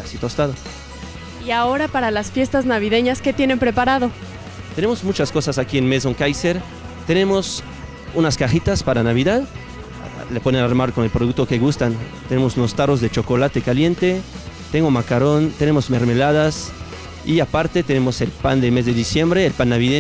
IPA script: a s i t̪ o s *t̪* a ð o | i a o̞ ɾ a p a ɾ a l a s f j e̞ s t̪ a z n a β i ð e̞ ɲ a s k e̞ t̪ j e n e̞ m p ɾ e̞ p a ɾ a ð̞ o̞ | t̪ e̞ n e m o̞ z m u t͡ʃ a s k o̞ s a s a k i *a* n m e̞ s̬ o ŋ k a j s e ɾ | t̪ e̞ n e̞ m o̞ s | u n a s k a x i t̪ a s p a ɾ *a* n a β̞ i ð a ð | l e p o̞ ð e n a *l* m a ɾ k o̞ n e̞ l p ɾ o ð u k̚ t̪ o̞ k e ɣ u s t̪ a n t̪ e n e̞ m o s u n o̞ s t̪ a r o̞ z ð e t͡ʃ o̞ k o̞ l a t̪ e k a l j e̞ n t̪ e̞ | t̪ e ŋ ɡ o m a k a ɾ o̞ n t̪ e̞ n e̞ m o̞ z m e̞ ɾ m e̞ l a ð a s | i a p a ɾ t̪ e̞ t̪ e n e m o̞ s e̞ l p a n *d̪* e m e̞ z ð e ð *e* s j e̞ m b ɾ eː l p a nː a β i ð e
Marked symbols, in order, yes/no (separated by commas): yes, no, yes, no, yes, no